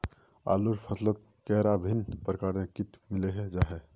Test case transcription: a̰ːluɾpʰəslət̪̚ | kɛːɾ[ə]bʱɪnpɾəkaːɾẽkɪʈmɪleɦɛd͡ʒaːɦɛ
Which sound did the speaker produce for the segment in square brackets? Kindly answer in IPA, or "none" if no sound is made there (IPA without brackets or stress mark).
a